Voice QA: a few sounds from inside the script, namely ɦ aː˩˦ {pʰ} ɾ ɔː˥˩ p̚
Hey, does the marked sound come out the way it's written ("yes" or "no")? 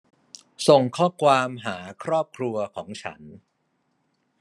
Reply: no